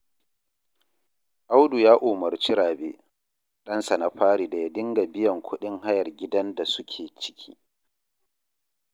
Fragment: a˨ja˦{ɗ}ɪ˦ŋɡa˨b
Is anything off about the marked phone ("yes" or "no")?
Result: yes